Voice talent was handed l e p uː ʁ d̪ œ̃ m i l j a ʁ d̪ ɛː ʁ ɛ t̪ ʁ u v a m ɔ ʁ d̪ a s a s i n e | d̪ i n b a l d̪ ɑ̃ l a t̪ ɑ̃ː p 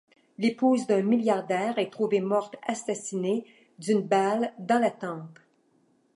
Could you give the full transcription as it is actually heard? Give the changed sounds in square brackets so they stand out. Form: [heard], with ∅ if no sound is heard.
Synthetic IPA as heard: l e p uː [z] d̪ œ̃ m i l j a ʁ d̪ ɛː ʁ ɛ t̪ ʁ u v [e] m ɔ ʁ [t̪] a s a s i n e | d̪ [y] n b a l d̪ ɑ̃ l a t̪ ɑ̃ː p